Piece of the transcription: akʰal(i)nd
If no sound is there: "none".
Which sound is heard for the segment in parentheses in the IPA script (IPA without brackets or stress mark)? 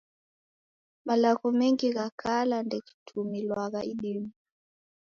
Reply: a